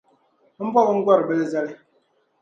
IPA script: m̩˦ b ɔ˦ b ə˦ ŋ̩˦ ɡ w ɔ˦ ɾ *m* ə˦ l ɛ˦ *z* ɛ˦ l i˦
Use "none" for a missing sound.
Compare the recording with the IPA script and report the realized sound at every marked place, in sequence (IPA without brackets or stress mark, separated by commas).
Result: b, z